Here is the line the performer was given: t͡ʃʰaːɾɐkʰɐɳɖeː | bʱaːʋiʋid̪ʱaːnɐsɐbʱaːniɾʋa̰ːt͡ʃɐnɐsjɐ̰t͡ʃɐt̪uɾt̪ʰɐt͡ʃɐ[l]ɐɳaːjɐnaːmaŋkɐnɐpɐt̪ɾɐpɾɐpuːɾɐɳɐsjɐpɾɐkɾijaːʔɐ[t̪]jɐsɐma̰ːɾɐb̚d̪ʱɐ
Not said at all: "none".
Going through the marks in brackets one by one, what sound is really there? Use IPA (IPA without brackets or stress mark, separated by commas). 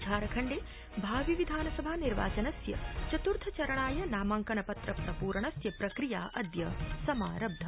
ɾ, d̪